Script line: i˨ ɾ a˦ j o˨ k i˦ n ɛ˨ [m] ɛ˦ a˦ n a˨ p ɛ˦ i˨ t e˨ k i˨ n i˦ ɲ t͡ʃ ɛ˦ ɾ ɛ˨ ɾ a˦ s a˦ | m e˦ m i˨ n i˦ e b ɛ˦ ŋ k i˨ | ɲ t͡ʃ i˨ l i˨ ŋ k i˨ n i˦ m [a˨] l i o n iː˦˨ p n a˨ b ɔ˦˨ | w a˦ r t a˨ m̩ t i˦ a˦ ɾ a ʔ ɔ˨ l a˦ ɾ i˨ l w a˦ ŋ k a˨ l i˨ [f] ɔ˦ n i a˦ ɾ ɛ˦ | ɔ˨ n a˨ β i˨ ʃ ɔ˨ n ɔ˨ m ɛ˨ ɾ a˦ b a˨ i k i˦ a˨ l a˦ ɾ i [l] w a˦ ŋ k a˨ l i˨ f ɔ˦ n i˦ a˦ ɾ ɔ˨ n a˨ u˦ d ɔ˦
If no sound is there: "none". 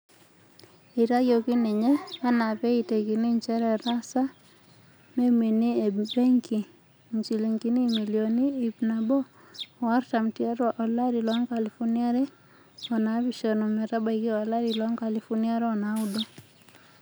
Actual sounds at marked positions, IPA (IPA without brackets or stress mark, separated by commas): ɲ, i˨, f, l